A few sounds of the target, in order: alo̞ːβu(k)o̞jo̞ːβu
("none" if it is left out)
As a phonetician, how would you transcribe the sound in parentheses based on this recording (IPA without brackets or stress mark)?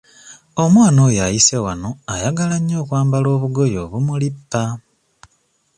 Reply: ɡ